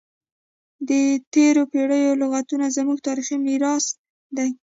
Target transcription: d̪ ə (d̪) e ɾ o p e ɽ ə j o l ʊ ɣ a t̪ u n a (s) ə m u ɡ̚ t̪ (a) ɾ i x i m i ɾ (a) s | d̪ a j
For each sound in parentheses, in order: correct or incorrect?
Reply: incorrect, incorrect, incorrect, incorrect

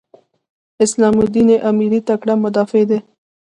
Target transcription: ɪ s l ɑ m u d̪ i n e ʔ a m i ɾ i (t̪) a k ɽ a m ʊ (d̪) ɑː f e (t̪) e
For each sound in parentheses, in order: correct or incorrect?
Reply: correct, correct, incorrect

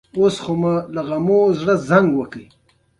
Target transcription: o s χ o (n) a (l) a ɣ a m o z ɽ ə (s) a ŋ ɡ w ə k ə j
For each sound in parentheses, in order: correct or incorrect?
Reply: incorrect, correct, incorrect

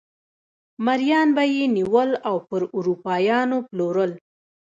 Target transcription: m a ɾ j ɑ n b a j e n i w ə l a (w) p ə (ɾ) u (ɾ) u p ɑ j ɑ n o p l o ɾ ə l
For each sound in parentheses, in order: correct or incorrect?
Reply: correct, correct, correct

